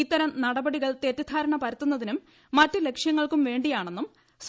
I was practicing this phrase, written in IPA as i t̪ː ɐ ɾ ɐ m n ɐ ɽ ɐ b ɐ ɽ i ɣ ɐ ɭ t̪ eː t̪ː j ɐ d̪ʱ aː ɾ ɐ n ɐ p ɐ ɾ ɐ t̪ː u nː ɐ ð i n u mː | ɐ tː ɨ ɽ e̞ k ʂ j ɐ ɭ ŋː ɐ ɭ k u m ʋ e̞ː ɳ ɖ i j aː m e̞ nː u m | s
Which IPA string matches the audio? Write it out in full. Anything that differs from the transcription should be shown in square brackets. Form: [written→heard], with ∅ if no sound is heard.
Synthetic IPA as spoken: i t̪ː ɐ ɾ ɐ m n ɐ ɽ ɐ b ɐ ɽ i ɣ ɐ ɭ t̪ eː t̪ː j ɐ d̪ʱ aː ɾ ɐ [n→ɳ] ɐ p ɐ ɾ ɐ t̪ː u nː ɐ ð i n u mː | ɐ tː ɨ [ɽ→l] e̞ k ʂ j ɐ [ɭ→∅] ŋː ɐ ɭ k u m ʋ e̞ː ɳ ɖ i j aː [m→ɳ] e̞ nː u m | s

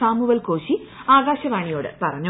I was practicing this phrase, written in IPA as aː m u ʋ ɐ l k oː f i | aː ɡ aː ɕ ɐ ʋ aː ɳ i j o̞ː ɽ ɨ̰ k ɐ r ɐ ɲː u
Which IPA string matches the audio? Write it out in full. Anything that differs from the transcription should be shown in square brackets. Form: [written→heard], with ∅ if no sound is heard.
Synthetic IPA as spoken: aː m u ʋ ɐ l k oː [f→ɕ] i | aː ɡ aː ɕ ɐ ʋ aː ɳ i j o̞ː ɽ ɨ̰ [k→p] ɐ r ɐ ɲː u

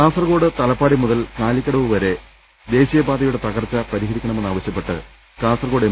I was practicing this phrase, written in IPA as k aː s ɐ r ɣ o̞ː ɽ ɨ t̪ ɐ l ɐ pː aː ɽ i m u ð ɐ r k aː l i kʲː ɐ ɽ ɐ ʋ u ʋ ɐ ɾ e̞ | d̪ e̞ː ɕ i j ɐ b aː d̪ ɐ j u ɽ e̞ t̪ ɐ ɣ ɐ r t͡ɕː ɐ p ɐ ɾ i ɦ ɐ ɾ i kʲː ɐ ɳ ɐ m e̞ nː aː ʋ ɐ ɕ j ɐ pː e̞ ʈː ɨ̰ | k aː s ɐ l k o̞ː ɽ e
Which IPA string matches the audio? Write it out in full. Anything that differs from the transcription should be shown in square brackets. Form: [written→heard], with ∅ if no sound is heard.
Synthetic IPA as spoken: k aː s ɐ r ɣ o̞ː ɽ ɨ t̪ ɐ l ɐ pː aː ɽ i m u ð ɐ [r→l] k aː l i kʲː ɐ ɽ ɐ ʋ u ʋ ɐ ɾ e̞ | d̪ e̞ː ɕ i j ɐ b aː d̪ ɐ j u ɽ e̞ t̪ ɐ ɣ ɐ r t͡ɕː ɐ p ɐ ɾ i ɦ ɐ ɾ i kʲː ɐ ɳ ɐ m e̞ nː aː ʋ ɐ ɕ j ɐ pː e̞ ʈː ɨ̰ | k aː s ɐ [l→r] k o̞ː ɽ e

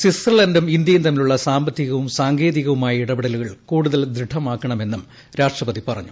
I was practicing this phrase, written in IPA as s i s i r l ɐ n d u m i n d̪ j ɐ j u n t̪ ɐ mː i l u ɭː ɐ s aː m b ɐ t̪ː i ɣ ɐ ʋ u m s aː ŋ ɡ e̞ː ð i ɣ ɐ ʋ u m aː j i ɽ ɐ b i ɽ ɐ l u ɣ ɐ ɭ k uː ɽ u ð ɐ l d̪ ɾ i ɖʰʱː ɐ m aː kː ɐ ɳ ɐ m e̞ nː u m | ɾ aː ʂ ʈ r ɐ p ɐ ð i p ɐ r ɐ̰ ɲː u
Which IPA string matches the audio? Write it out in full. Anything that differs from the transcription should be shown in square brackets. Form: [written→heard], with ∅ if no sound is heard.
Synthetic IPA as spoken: s i s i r l ɐ n d u m i n d̪ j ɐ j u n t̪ ɐ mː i l u ɭː ɐ s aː m b ɐ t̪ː i ɣ ɐ ʋ u m s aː ŋ ɡ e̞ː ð i ɣ ɐ ʋ u m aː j i ɽ ɐ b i ɽ ɐ l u ɣ ɐ ɭ k uː ɽ u ð ɐ l d̪ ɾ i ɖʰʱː ɐ m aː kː ɐ ɳ ɐ m e̞ nː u m | ɾ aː ʂ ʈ r ɐ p ɐ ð i p ɐ r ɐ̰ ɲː u

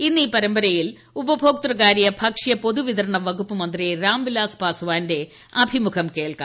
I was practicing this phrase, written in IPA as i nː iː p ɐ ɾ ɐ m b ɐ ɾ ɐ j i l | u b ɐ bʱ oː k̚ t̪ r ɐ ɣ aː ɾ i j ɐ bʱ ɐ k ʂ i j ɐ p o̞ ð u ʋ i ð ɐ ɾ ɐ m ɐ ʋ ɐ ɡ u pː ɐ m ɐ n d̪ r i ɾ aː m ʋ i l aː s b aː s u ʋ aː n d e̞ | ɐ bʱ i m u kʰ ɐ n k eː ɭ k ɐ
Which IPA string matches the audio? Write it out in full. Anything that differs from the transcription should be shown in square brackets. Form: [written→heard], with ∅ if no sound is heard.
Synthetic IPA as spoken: i nː iː p ɐ ɾ ɐ m b ɐ ɾ ɐ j i l | u b ɐ bʱ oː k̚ t̪ r ɐ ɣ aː ɾ i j ɐ bʱ ɐ k ʂ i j ɐ p o̞ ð u ʋ i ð ɐ ɾ ɐ [m→ɳ] ɐ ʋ ɐ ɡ u pː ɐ m ɐ n d̪ r i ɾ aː m ʋ i l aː s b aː s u ʋ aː n d e̞ | ɐ bʱ i m u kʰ ɐ [n→m] k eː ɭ k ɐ

